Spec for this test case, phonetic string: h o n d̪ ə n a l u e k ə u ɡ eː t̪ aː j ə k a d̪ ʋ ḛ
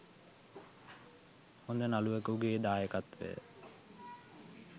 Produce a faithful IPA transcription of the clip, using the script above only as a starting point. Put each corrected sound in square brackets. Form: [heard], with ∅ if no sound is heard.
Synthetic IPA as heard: h o n d̪ ə n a l u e k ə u ɡ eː [d̪] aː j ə k a [t̪] ʋ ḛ